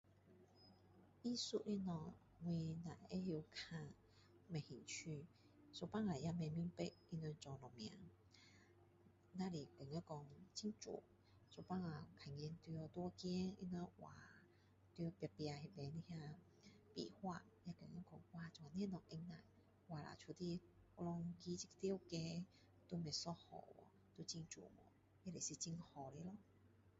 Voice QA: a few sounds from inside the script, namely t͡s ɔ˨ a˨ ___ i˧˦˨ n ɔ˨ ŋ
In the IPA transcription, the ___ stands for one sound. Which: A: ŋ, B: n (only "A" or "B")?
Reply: B